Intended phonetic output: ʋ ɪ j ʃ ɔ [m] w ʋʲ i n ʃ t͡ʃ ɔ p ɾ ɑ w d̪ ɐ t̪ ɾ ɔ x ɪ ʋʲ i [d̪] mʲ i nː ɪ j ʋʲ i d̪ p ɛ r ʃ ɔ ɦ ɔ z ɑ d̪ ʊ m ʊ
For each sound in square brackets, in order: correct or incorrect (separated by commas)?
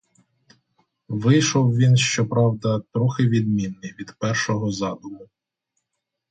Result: incorrect, correct